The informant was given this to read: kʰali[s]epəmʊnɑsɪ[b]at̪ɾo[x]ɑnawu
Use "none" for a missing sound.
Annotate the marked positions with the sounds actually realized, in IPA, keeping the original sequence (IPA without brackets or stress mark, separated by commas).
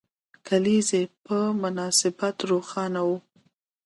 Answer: z, b, x